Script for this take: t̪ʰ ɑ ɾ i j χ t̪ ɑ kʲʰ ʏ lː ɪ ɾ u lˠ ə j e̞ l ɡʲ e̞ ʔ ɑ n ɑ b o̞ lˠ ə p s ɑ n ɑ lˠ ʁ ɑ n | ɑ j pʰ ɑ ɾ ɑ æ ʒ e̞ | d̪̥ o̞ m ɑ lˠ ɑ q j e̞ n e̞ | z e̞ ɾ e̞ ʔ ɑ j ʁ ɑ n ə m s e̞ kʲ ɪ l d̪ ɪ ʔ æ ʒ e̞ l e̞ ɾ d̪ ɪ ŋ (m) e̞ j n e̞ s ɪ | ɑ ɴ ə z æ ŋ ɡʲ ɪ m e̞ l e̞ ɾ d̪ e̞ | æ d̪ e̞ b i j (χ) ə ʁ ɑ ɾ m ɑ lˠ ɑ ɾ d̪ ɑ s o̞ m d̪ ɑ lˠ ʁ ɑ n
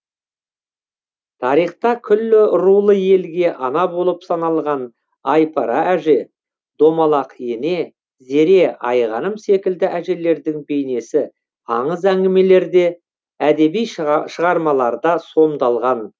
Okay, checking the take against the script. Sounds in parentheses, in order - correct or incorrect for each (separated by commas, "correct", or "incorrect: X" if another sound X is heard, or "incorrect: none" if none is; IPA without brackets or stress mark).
incorrect: b, incorrect: ʃ